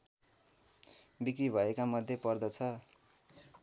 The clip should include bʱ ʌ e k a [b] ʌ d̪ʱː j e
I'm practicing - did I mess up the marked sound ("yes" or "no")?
yes